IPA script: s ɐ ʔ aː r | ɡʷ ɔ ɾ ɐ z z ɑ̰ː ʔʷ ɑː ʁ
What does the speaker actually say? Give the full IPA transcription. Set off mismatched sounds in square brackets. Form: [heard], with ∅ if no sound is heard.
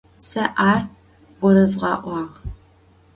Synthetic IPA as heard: s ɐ ʔ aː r | ɡʷ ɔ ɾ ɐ z [ʁ] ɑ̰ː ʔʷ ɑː ʁ

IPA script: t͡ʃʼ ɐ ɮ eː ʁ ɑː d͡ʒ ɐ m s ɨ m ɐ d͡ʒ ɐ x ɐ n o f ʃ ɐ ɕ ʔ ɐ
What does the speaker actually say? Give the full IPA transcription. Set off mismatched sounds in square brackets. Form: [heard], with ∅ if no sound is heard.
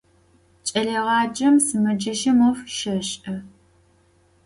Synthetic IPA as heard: t͡ʃʼ ɐ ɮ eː ʁ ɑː d͡ʒ ɐ m s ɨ m ɐ d͡ʒ ɐ [ʃ] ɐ [m] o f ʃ ɐ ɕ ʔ ɐ

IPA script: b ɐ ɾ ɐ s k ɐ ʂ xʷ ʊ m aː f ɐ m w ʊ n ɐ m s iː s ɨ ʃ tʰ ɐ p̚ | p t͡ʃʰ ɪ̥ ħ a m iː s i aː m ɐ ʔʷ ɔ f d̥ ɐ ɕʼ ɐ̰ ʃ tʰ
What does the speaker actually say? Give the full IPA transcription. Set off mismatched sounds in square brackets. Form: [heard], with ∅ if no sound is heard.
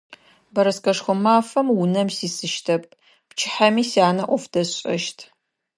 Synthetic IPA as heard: b ɐ ɾ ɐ s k ɐ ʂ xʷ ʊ m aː f ɐ m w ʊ n ɐ m s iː s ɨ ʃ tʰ ɐ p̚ | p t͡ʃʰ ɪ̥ ħ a m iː s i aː [n] ɐ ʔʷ ɔ f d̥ ɐ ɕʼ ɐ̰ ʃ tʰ

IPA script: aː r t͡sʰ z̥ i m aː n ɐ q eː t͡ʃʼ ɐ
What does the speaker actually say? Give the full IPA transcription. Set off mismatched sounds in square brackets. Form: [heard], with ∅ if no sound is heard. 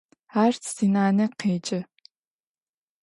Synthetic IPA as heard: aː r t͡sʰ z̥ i [n] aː n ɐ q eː t͡ʃʼ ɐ

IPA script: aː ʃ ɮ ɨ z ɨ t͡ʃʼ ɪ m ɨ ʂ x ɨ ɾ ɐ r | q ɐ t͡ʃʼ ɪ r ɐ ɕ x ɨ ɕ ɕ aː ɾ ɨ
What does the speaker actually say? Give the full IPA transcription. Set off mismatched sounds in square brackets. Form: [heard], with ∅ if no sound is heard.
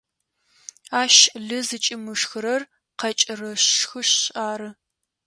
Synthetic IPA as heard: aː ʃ ɮ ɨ z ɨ t͡ʃʼ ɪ m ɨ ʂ x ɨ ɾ ɐ r | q ɐ t͡ʃʼ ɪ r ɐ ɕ x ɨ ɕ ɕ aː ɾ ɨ

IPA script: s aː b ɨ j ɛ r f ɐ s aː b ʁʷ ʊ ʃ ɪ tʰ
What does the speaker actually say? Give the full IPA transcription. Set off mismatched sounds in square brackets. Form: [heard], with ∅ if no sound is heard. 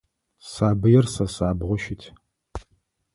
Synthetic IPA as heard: s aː b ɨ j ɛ r [s] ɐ s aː b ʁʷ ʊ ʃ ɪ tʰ

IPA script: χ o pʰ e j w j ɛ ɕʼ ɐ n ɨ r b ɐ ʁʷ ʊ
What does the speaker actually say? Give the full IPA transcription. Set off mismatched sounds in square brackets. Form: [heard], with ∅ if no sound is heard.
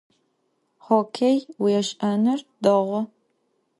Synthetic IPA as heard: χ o [kʰ] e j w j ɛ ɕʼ ɐ n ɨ r [d] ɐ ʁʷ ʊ

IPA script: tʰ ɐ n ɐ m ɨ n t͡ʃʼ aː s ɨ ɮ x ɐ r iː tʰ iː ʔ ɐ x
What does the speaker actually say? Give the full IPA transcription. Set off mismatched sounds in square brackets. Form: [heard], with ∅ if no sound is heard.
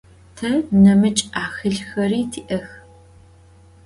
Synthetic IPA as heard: tʰ ɐ n ɐ m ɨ [∅] t͡ʃʼ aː [x] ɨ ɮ x ɐ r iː tʰ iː ʔ ɐ x

